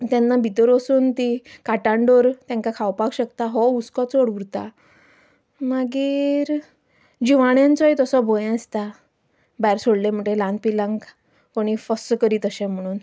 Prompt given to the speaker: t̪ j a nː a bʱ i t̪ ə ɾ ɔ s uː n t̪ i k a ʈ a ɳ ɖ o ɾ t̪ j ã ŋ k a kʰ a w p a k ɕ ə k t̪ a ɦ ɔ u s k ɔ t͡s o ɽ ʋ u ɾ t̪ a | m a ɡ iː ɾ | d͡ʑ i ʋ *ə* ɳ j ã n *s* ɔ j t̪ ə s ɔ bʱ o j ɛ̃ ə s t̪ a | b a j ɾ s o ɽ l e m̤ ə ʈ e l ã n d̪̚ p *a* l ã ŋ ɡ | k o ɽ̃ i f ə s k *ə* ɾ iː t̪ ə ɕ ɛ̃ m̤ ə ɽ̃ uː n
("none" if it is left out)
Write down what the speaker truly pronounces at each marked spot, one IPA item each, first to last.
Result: a, t͡s, i, ə

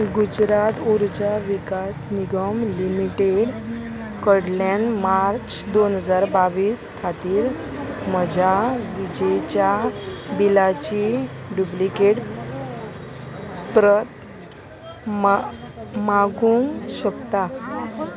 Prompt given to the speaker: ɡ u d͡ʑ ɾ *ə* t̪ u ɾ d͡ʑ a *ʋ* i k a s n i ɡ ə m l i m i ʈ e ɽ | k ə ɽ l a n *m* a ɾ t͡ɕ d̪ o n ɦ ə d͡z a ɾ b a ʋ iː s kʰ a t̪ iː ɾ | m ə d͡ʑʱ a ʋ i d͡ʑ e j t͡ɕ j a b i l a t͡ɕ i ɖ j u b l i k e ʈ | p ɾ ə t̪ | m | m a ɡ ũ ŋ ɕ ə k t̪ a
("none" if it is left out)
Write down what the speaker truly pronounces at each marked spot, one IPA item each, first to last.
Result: a, ʋ, m

